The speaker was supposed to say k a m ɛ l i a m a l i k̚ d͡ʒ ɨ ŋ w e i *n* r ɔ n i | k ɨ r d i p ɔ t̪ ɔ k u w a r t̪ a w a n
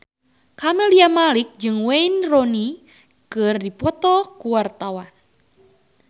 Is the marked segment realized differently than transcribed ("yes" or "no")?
no